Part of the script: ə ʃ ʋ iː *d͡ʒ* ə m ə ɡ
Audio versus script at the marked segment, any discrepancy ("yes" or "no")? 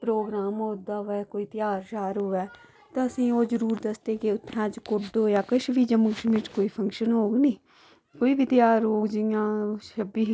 no